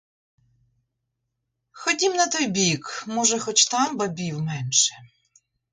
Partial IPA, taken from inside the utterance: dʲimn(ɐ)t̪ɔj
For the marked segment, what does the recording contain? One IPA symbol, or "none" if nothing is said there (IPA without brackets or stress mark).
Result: ɐ